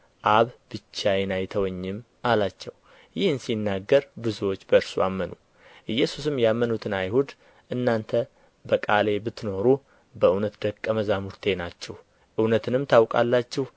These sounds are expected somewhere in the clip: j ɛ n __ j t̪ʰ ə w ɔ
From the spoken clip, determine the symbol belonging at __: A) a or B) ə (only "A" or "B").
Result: A